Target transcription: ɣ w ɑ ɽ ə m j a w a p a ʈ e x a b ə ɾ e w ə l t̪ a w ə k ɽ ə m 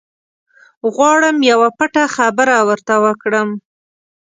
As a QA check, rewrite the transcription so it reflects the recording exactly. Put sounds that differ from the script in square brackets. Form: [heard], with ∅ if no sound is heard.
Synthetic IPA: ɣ w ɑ ɽ ə m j a w a p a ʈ [a] x a b ə ɾ [a] w ə [ɾ] t̪ a w ə k ɽ ə m